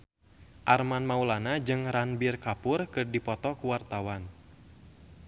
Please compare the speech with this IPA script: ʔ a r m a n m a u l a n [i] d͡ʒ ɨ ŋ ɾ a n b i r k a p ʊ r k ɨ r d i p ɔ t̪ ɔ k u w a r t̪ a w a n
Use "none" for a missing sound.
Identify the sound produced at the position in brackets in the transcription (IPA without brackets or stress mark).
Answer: a